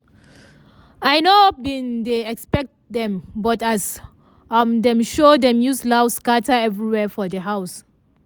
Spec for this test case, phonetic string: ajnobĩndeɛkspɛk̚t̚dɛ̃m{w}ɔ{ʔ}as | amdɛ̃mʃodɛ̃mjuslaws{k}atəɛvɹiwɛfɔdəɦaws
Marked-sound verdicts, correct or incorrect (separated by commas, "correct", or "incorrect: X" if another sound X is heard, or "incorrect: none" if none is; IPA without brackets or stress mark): incorrect: b, incorrect: t, correct